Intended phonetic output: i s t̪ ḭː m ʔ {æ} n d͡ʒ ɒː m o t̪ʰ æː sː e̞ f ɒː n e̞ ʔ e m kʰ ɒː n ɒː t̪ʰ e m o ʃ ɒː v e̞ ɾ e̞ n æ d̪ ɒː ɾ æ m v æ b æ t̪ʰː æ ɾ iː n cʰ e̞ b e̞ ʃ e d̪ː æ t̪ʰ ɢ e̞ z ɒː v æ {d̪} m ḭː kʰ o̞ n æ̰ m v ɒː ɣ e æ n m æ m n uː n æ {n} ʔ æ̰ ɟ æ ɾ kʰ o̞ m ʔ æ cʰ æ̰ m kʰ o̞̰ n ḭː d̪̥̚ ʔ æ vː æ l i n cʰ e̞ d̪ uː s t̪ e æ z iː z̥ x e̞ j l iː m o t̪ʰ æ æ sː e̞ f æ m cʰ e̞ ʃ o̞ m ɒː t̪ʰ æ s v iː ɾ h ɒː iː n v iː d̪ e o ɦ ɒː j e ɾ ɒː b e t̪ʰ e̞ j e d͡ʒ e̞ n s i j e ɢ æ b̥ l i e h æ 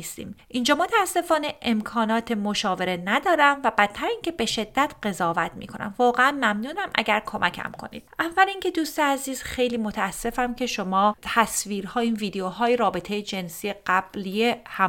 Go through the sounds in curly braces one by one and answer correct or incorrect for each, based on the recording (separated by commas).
incorrect, incorrect, incorrect